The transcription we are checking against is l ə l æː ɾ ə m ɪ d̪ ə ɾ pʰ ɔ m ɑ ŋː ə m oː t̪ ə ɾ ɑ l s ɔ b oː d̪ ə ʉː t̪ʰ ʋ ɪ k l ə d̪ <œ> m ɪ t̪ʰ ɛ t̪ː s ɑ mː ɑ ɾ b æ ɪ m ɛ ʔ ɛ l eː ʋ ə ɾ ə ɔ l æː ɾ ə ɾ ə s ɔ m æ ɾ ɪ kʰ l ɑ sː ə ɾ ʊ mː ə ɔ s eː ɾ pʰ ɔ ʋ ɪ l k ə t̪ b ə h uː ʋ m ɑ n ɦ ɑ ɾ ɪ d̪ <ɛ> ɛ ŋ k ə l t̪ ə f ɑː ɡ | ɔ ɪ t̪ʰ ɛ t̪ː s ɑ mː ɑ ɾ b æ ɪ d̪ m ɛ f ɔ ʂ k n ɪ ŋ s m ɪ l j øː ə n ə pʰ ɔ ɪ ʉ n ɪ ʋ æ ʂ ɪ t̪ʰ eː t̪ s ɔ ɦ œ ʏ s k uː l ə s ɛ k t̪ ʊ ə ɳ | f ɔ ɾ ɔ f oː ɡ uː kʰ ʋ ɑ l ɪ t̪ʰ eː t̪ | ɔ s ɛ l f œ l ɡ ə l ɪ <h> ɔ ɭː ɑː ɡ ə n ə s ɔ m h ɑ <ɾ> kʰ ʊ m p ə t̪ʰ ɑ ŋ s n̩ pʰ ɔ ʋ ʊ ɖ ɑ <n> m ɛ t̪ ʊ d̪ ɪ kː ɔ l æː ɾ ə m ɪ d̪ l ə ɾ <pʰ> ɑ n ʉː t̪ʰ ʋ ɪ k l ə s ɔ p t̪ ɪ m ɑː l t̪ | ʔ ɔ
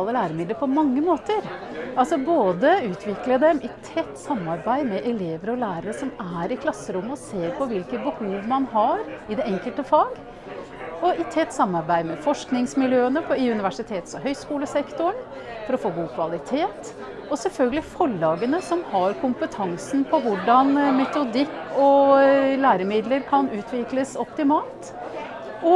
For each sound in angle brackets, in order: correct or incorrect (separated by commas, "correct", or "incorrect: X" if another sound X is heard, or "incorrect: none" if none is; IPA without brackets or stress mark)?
incorrect: ɛ, correct, incorrect: f, correct, correct, incorrect: kʰ